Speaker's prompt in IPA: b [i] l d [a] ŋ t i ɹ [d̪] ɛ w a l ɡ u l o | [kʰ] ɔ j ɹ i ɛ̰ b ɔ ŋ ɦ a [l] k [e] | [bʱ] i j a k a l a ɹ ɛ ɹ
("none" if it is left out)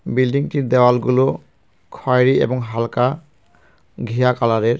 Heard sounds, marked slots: i, i, d̪, kʰ, l, a, ɡʱ

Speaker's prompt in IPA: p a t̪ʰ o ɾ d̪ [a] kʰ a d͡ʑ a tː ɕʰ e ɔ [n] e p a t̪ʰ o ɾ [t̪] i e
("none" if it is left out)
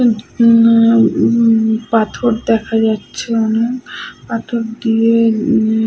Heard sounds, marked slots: ɛ, n, d̪

